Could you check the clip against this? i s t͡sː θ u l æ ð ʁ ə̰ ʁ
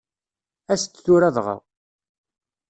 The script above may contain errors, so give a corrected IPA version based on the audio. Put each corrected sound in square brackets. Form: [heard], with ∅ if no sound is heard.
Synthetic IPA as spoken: [æ] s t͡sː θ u [ɾ] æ ð ʁ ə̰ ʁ